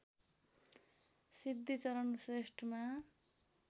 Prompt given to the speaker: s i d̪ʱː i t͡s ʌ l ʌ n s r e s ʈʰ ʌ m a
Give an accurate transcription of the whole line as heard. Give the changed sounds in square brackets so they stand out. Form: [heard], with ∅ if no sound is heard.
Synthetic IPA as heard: s i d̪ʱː i t͡s ʌ [ɾ] ʌ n s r e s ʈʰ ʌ m a